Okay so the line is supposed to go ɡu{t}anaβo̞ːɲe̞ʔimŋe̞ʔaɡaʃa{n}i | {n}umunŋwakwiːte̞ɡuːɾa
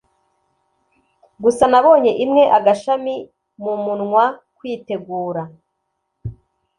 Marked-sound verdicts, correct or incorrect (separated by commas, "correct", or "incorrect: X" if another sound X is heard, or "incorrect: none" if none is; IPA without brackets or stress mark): incorrect: s, incorrect: m, incorrect: m